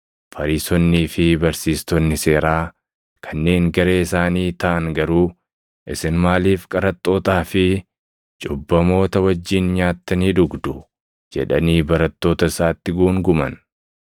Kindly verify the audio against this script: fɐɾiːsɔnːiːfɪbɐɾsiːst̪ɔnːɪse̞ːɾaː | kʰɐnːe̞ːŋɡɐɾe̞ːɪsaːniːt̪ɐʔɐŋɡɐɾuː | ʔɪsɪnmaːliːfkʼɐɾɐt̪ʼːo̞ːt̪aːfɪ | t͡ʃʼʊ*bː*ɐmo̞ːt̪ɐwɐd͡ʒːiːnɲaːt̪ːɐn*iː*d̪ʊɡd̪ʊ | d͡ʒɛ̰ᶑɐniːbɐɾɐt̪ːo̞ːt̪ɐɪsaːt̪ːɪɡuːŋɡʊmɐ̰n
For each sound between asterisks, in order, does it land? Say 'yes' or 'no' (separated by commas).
yes, yes